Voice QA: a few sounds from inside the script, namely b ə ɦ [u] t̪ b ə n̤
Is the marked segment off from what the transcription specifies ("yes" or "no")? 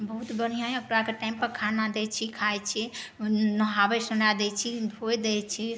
no